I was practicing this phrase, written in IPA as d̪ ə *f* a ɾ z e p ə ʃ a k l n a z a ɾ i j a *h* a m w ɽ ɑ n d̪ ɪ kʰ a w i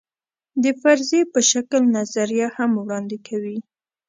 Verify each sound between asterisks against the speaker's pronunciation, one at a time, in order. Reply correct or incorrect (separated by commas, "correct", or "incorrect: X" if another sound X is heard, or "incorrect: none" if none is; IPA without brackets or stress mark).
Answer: correct, correct